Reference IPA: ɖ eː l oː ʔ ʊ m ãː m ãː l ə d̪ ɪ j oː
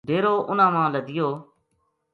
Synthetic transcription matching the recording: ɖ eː ɾ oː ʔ ʊ n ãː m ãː l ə d̪ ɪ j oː